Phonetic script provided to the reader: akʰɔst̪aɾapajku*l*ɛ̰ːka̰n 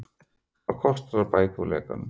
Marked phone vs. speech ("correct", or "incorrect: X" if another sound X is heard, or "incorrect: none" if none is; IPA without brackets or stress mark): correct